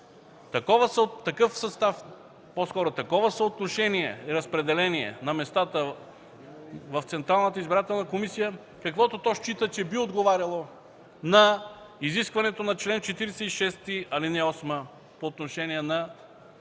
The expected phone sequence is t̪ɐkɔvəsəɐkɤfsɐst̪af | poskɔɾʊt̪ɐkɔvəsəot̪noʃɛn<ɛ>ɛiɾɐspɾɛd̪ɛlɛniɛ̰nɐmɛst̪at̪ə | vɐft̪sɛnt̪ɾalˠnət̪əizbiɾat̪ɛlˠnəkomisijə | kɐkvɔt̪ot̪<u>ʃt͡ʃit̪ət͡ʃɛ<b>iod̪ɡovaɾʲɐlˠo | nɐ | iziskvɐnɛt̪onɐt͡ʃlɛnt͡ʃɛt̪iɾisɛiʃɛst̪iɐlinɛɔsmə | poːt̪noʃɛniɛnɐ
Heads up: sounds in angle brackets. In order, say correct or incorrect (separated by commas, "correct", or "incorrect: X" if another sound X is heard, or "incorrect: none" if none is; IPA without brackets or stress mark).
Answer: incorrect: i, incorrect: ɔ, correct